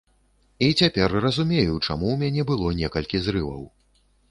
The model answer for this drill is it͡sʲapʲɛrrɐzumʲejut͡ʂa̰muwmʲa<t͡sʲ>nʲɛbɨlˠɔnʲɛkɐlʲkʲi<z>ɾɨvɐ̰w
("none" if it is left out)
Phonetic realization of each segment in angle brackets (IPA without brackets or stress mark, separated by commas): none, z